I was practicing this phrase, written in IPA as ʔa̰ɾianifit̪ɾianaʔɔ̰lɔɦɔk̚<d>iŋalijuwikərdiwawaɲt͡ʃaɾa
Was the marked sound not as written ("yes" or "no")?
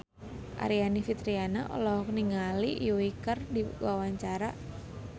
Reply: yes